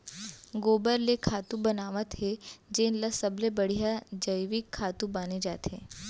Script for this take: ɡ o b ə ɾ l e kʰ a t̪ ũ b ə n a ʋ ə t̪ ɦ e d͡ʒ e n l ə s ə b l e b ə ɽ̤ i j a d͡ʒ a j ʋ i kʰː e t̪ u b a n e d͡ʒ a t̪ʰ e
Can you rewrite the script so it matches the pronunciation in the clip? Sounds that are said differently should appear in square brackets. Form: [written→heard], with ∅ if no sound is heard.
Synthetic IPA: ɡ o b ə ɾ l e kʰ a t̪ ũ b ə n a ʋ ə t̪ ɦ e d͡ʒ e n l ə s ə b l e b ə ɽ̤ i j a d͡ʒ [a→ə] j ʋ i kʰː [e→a] t̪ u b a n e d͡ʒ a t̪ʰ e